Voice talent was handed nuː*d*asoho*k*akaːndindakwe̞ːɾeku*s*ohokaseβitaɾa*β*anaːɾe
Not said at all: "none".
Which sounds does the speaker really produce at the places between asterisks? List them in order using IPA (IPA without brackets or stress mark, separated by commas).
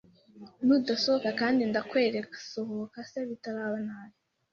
d, k, s, β